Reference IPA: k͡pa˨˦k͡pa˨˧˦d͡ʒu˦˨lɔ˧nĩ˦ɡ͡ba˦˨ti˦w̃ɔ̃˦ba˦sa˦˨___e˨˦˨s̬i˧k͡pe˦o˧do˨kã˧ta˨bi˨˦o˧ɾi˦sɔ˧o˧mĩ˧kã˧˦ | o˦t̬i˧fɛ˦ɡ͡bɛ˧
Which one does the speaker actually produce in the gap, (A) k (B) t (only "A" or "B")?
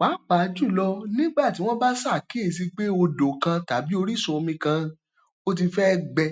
A